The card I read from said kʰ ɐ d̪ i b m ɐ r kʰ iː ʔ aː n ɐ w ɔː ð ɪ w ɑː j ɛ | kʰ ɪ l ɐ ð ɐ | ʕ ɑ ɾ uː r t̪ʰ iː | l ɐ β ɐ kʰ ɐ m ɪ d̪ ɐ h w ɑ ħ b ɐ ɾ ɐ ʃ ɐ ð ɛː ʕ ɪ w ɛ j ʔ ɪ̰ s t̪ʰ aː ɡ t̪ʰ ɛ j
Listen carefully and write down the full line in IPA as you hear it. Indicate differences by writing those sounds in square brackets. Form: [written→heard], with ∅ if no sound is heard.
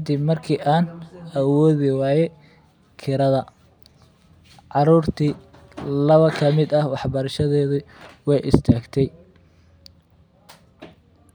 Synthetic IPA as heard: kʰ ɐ d̪ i b m ɐ r kʰ iː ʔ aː n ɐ w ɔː ð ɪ w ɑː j ɛ | kʰ ɪ [l→ɾ] ɐ ð ɐ | ʕ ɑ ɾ uː r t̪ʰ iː | l ɐ β ɐ kʰ ɐ m ɪ d̪ ɐ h w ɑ ħ b ɐ ɾ ɐ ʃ ɐ ð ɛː [ʕ→ð] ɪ w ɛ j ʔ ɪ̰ s t̪ʰ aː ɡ t̪ʰ ɛ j

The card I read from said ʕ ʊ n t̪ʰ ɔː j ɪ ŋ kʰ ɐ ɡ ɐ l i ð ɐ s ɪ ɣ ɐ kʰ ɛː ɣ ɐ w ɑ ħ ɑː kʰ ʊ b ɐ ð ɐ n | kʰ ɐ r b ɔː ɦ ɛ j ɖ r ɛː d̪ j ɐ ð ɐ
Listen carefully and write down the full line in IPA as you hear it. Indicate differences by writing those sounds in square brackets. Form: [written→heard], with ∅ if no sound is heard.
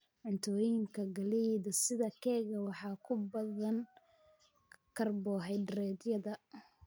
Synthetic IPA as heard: ʕ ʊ n t̪ʰ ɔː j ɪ ŋ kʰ ɐ ɡ ɐ l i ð ɐ s ɪ [ɣ→ð] ɐ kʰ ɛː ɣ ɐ w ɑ ħ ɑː kʰ ʊ b ɐ ð ɐ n | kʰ ɐ r b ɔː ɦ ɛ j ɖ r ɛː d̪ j ɐ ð ɐ

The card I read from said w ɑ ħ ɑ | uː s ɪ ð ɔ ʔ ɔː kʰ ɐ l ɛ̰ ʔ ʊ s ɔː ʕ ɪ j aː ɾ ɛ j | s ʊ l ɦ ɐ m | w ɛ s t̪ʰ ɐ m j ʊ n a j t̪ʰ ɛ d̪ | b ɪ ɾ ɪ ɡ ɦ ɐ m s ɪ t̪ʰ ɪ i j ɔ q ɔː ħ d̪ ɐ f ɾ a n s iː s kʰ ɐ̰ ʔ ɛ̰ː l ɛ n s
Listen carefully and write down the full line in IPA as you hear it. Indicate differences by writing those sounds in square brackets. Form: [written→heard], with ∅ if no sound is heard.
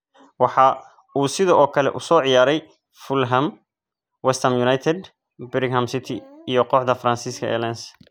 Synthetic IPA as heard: w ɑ ħ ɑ | uː s ɪ ð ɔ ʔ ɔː kʰ ɐ l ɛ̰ ʔ ʊ s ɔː ʕ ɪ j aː ɾ ɛ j | [s→f] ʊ l ɦ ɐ m | w ɛ s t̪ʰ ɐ m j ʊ n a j t̪ʰ ɛ d̪ | b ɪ ɾ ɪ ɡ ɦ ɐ m s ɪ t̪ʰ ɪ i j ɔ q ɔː ħ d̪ ɐ f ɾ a n s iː s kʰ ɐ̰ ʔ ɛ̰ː l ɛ n s

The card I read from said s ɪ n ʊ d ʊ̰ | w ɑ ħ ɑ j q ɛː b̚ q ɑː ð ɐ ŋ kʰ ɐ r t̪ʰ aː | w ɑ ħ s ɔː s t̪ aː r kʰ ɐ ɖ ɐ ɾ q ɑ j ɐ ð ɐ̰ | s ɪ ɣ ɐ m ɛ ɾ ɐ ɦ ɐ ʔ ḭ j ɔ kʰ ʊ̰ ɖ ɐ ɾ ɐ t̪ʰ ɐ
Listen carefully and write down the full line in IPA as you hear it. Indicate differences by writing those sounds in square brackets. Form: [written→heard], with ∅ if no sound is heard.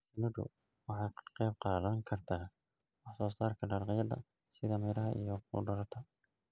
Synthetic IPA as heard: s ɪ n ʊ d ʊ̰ | w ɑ ħ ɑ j q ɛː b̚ q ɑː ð ɐ ŋ kʰ ɐ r t̪ʰ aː | w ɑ ħ s ɔː s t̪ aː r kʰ ɐ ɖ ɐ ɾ q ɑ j ɐ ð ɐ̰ | s ɪ [ɣ→ð] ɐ m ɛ ɾ ɐ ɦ ɐ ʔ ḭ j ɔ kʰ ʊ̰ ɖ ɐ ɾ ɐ t̪ʰ ɐ

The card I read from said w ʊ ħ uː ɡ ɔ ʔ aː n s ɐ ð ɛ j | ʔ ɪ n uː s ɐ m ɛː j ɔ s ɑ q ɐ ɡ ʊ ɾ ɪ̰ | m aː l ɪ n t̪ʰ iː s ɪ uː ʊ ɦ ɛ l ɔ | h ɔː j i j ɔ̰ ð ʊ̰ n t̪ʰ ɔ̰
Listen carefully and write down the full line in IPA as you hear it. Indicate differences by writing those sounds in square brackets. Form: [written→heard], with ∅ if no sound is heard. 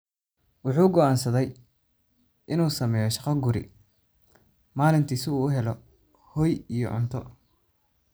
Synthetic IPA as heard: w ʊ ħ uː ɡ ɔ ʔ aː n s ɐ ð ɛ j | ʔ ɪ n uː s ɐ m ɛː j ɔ [s→ʃ] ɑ q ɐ ɡ ʊ ɾ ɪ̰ | m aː l ɪ n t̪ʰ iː s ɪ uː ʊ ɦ ɛ l ɔ | h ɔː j i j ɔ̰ [ð→ʕ] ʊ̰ n t̪ʰ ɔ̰

